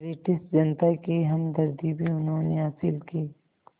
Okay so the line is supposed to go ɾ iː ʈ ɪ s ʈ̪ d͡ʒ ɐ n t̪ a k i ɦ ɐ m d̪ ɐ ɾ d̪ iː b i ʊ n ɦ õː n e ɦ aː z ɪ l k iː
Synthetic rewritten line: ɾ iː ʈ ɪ s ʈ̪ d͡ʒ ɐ n t̪ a k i ɦ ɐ m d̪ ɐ ɾ d̪ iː b i ʊ n ɦ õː n e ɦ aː s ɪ l k iː

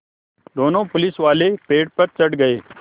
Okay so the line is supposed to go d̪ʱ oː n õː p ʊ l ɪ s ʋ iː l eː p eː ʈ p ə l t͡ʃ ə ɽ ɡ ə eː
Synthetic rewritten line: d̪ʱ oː n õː p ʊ l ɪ s ʋ aː l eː p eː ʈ p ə ɾ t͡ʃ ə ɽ ɡ ə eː

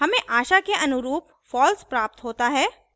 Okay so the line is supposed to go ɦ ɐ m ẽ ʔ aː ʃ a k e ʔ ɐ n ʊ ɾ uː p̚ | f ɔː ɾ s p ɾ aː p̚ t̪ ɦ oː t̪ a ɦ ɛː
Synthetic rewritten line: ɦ ɐ m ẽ ʔ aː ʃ a k e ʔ ɐ n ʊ ɾ uː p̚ | f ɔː l s p ɾ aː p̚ t̪ ɦ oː t̪ a ɦ ɛː

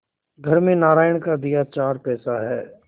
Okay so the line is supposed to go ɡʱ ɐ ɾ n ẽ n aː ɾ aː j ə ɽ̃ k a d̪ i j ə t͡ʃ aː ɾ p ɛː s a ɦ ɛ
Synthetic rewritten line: ɡʱ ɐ ɾ m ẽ n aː ɾ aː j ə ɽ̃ k a d̪ i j a t͡ʃ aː ɾ p ɛː s a ɦ ɛː

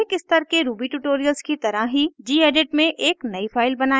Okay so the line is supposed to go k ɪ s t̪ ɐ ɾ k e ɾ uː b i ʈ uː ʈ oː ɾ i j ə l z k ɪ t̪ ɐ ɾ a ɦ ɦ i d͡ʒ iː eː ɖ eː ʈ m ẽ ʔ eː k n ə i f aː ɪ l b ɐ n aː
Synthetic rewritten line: k ɪ s t̪ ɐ ɾ k e ɾ uː b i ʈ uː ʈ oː ɾ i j ə l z k i t̪ ɐ ɾ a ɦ ɦ i d͡ʒ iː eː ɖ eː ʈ m ẽ ʔ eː k n ɐ i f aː ɪ l b ɐ n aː

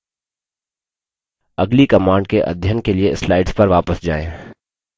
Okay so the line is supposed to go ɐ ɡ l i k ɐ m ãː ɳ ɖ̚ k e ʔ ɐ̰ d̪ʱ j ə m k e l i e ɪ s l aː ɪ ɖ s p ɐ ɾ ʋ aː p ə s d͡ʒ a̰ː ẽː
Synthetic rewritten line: ɐ ɡ l i k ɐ m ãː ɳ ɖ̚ k e ʔ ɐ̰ d̪ʱ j ə n k e l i e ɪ s l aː ɪ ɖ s p ɐ ɾ ʋ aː p ə s d͡ʒ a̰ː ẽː

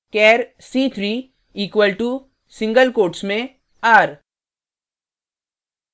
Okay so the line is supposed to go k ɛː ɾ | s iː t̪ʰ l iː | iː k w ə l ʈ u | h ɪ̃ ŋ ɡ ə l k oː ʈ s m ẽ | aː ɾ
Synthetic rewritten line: k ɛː ɾ | s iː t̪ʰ ɾ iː | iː k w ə l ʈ u | s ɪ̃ ŋ ɡ ə l k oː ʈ s m ẽ | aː ɾ

